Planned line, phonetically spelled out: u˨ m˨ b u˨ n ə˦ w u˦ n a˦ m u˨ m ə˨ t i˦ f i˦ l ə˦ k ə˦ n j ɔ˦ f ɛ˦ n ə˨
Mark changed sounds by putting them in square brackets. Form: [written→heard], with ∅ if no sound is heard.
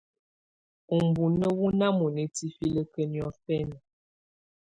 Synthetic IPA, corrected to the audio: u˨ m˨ b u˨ n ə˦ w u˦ n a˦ m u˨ [m→n] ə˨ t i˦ f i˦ l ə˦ k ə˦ n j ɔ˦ f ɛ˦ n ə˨